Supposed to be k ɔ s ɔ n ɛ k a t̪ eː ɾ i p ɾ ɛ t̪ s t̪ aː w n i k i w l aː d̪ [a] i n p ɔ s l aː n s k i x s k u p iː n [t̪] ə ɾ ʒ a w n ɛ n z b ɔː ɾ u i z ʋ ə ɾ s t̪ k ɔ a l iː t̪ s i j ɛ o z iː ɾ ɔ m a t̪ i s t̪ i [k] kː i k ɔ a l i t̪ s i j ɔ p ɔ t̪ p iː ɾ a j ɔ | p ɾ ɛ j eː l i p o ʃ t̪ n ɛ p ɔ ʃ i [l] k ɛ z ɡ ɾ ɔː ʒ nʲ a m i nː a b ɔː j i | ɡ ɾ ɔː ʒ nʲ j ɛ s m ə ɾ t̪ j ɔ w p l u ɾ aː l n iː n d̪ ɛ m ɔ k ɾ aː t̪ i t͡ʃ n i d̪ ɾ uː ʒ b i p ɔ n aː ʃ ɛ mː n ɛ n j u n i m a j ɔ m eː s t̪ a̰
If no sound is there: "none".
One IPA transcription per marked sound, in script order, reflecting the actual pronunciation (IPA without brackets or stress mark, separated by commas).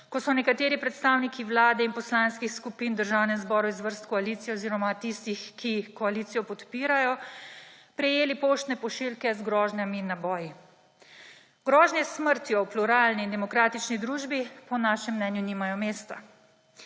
ɛ, d̪, x, l